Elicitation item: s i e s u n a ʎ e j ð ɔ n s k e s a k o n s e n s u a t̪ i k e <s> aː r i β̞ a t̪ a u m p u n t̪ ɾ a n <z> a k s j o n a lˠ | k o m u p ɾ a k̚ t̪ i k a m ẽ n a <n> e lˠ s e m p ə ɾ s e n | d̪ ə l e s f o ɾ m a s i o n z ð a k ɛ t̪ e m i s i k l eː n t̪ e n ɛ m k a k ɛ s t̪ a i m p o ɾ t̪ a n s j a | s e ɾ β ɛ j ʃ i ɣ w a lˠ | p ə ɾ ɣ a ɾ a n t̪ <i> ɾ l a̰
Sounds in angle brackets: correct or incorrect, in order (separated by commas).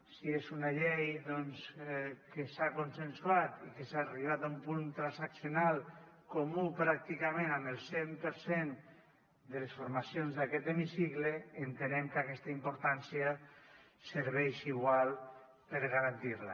correct, incorrect, incorrect, correct